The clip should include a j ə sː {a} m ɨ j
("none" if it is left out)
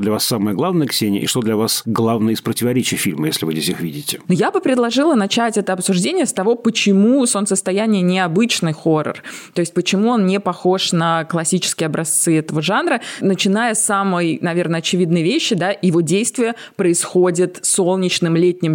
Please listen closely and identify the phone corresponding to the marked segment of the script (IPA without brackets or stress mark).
a